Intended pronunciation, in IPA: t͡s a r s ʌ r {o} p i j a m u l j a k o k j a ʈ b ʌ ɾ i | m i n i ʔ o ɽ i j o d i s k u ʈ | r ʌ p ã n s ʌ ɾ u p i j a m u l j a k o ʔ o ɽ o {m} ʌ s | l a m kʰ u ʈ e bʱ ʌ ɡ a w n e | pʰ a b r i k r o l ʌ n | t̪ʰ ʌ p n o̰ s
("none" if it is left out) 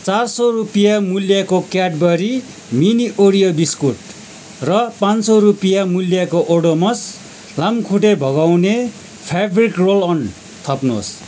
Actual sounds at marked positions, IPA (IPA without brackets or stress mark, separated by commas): u, m